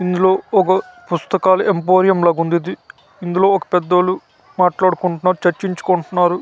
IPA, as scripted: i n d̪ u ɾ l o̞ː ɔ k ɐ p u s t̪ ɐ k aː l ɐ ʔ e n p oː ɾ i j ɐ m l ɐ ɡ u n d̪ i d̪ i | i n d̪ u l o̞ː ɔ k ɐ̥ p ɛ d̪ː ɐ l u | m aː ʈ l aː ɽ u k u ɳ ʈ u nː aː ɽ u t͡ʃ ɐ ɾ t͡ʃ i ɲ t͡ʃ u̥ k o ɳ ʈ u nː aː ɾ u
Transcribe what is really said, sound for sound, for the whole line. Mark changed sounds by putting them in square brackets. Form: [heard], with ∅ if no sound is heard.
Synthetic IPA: i n d̪ u [∅] l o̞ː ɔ k ɐ p u s t̪ ɐ k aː l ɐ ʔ e [m] p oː ɾ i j ɐ m l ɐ ɡ u n d̪ i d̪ i | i n d̪ u l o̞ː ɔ k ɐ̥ p ɛ d̪ː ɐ l u | m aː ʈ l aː ɽ u k u ɳ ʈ u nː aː [ɾ] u t͡ʃ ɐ ɾ t͡ʃ i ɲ t͡ʃ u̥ k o ɳ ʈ u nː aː ɾ u